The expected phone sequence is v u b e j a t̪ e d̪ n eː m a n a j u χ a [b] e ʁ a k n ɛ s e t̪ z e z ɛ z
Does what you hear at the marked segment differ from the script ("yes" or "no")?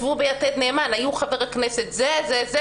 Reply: yes